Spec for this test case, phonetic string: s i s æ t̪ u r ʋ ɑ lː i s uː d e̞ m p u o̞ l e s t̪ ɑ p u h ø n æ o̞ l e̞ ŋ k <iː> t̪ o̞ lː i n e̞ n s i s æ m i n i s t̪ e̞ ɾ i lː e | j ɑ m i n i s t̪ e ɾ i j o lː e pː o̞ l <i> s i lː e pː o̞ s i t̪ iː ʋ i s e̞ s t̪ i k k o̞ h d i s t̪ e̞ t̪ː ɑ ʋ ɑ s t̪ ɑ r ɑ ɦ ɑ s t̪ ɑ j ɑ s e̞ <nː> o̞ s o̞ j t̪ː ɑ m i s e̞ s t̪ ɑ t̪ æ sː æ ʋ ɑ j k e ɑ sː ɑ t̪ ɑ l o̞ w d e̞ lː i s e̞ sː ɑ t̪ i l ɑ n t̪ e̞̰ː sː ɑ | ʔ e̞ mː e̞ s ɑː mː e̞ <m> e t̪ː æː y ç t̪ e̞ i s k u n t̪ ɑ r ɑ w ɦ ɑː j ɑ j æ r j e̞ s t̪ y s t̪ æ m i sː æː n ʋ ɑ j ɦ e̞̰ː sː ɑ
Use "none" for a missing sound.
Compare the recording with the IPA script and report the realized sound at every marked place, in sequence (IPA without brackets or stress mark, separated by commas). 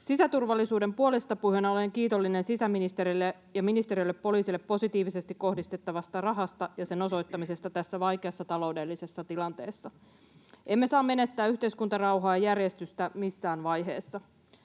iː, iː, n, n